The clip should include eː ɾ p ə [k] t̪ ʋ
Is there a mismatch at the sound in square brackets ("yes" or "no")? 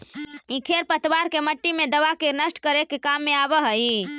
yes